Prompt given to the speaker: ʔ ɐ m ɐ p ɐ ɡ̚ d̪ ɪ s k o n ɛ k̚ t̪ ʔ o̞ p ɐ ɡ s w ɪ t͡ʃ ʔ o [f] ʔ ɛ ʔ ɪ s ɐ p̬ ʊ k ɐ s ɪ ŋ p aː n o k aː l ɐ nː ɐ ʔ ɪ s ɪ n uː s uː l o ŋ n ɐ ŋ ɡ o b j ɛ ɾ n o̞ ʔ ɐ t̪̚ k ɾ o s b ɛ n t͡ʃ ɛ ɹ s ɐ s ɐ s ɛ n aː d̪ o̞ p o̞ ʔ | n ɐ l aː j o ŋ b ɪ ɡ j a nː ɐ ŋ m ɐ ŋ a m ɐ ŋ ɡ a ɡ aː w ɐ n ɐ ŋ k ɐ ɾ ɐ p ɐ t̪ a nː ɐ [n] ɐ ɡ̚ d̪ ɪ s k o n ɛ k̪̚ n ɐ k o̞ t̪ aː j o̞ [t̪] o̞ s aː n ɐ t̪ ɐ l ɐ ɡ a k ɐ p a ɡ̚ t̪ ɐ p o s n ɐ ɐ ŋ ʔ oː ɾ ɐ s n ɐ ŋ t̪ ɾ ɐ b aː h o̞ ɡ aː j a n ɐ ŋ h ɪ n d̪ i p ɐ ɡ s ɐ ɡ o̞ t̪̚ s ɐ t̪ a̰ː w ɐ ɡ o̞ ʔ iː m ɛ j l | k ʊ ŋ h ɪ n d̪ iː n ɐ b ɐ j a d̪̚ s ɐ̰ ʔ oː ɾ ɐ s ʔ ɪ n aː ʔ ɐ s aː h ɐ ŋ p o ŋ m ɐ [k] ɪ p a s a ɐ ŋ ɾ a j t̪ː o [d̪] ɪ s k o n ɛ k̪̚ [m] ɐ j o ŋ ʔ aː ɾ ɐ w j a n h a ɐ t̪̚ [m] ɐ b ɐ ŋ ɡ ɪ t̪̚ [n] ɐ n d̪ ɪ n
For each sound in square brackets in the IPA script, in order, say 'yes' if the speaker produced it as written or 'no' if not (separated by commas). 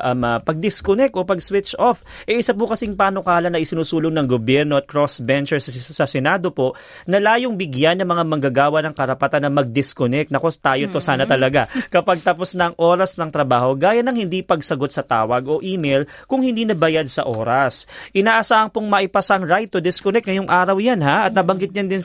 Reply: yes, no, yes, no, yes, no, no, no